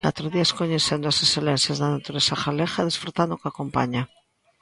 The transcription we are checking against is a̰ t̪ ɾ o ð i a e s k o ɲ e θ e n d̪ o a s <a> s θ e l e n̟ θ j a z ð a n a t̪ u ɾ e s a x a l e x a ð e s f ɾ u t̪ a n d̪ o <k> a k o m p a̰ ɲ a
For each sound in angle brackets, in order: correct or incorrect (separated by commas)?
incorrect, correct